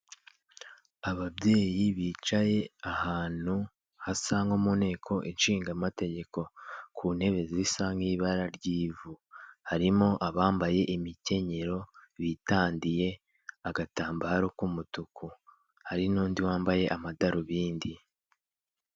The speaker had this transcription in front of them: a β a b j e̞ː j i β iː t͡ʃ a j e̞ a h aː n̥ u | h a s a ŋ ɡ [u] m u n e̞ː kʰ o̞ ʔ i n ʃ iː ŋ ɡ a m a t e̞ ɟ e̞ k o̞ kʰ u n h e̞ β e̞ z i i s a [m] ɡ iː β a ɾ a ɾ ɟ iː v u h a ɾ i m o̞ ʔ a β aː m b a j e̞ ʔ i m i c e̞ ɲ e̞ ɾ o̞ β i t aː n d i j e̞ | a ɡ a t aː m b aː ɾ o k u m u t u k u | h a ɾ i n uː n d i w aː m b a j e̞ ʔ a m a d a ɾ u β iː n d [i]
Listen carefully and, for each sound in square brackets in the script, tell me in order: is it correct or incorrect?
incorrect: o, incorrect: ŋ, correct

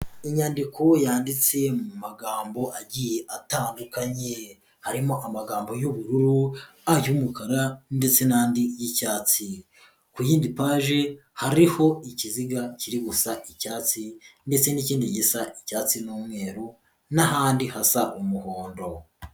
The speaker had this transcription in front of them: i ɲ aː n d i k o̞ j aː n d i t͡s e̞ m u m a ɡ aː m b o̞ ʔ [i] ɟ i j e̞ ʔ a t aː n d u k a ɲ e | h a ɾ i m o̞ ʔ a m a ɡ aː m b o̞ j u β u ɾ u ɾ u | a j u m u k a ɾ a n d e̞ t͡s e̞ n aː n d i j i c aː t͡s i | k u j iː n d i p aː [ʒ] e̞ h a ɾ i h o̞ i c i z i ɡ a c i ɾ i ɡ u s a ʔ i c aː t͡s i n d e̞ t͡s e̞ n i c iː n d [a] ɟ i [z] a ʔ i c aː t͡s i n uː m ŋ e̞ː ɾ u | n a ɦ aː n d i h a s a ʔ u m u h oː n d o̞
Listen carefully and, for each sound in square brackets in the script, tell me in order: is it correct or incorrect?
incorrect: a, correct, incorrect: i, incorrect: s

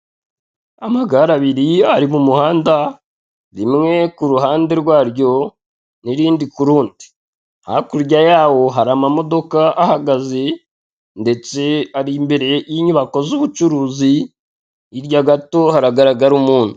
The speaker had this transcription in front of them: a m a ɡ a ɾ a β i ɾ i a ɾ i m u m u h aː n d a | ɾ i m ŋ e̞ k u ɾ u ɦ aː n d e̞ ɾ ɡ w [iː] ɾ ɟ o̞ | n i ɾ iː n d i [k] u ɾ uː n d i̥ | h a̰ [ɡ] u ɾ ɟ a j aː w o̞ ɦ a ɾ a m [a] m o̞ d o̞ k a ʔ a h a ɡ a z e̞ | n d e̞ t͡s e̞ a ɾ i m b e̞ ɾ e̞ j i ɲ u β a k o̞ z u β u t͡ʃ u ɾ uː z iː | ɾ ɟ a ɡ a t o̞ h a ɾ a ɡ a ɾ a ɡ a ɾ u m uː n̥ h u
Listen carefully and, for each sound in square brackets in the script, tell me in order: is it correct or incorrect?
incorrect: aː, correct, incorrect: k, correct

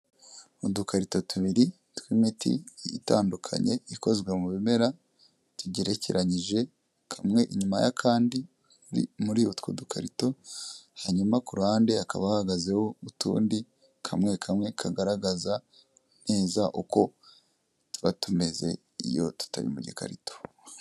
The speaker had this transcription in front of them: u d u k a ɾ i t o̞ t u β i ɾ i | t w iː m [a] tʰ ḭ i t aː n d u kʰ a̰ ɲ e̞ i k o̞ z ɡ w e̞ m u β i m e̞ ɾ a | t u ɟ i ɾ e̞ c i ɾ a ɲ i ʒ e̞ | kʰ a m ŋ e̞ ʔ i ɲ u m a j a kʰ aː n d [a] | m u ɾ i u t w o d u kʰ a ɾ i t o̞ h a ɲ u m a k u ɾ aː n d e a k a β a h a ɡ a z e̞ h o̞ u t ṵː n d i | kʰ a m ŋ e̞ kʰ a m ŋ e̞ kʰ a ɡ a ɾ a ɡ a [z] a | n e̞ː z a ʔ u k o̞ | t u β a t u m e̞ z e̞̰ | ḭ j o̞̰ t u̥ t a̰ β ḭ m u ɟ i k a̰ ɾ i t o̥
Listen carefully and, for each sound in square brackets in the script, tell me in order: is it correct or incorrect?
incorrect: i, incorrect: i, correct

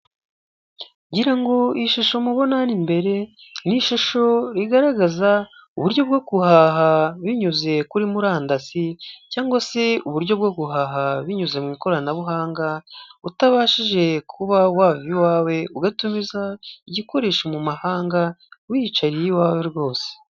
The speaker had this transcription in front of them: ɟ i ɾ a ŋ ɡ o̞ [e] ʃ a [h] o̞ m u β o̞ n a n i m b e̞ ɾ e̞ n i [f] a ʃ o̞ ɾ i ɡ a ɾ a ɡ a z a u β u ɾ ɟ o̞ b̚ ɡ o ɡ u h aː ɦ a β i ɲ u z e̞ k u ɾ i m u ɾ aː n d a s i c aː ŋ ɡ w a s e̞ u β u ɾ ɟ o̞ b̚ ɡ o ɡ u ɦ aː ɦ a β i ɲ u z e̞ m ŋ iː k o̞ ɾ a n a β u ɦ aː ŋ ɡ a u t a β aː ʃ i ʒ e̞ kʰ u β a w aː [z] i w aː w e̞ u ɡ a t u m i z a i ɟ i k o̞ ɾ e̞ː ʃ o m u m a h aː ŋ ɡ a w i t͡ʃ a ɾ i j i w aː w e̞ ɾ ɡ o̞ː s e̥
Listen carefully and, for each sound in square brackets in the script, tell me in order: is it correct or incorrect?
incorrect: i, incorrect: ʃ, incorrect: ʃ, incorrect: v

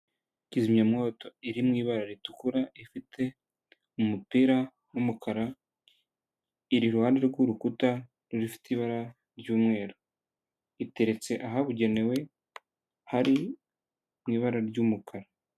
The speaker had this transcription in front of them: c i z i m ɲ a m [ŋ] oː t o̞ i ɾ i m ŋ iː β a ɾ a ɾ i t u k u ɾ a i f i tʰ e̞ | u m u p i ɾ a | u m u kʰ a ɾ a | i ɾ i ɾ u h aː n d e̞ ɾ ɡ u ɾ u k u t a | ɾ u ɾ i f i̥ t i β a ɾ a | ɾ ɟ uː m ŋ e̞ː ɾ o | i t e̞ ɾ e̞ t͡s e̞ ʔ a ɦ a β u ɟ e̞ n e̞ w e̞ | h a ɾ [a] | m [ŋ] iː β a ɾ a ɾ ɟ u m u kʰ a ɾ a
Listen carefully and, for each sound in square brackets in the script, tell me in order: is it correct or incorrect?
correct, incorrect: i, correct

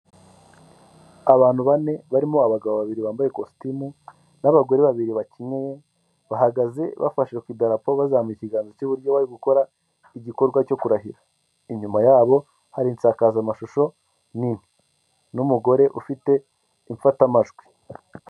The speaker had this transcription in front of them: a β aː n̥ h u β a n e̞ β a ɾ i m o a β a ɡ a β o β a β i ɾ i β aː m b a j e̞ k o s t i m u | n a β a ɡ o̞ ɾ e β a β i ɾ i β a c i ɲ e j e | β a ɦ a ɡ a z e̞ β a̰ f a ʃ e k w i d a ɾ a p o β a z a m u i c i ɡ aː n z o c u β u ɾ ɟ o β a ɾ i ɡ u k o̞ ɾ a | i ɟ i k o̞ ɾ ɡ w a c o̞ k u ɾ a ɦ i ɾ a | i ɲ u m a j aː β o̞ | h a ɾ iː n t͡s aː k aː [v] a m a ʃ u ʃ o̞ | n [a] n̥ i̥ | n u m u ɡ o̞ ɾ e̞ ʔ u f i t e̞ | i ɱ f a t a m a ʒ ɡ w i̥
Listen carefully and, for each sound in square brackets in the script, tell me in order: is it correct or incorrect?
incorrect: z, incorrect: i

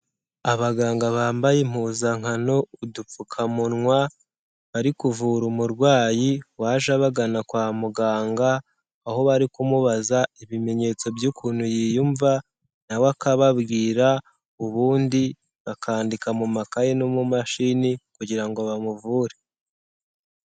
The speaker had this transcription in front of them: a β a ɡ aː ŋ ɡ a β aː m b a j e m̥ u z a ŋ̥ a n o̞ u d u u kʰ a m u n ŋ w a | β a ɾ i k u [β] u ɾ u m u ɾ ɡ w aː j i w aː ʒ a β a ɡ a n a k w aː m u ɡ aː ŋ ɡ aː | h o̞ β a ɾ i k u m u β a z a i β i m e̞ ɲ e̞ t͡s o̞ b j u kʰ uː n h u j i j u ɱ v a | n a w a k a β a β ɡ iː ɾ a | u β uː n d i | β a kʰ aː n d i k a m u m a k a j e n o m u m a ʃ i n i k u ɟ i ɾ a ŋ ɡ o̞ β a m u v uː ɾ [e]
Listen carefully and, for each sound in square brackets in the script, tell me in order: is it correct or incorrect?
incorrect: v, correct

